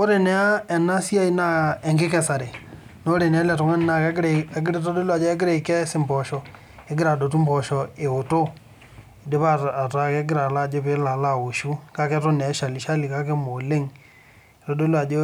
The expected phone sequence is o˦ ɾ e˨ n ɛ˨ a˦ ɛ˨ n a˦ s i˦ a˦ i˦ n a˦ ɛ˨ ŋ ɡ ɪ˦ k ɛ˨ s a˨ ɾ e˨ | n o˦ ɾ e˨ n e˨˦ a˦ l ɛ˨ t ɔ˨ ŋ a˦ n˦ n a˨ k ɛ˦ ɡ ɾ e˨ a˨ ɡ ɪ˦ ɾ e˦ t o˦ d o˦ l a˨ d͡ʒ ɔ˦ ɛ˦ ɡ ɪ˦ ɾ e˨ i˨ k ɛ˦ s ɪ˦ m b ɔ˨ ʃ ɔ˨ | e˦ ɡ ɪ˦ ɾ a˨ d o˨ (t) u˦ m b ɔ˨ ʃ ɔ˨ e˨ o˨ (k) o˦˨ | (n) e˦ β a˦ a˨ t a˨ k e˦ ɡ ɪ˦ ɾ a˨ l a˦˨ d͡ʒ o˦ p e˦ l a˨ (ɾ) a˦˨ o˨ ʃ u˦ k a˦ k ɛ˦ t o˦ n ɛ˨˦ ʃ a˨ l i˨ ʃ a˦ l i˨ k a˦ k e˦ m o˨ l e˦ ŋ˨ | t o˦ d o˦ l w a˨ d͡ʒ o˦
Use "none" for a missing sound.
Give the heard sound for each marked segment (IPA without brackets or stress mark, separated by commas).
t, t, d, l